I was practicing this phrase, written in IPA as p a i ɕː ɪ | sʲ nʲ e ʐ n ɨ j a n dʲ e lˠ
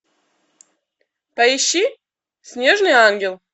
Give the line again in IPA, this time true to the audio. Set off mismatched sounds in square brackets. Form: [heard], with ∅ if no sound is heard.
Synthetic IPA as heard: p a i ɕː [i] | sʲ nʲ e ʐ n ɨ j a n [ɡʲ] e lˠ